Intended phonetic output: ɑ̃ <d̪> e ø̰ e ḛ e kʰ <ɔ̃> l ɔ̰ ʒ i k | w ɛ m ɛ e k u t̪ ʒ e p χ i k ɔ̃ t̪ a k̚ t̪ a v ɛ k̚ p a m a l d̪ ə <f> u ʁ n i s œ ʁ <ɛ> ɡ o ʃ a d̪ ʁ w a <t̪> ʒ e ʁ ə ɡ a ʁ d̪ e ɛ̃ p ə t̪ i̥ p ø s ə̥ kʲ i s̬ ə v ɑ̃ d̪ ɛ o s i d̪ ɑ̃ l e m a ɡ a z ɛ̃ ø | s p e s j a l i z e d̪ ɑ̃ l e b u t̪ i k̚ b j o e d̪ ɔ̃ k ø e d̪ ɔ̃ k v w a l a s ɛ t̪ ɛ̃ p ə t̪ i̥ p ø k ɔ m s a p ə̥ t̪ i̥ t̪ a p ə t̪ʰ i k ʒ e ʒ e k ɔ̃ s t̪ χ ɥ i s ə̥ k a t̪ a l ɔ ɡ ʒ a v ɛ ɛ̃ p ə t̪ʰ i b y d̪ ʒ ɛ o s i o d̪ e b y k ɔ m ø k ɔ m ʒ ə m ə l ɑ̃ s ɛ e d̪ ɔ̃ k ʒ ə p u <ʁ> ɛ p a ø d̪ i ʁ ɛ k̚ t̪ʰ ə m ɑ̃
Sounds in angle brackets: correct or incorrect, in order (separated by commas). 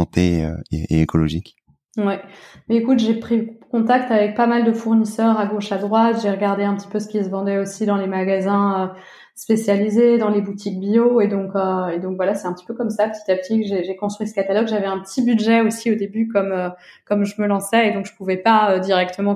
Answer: incorrect, incorrect, correct, incorrect, correct, incorrect